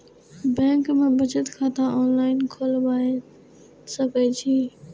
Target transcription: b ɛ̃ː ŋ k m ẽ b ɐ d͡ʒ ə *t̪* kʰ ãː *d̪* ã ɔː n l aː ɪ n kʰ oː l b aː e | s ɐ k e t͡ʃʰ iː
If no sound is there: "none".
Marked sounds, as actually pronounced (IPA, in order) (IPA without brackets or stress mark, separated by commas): t̪, t̪